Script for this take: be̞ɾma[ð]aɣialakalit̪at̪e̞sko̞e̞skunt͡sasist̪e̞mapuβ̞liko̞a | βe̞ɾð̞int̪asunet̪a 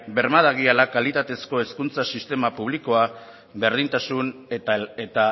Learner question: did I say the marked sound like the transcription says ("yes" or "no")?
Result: yes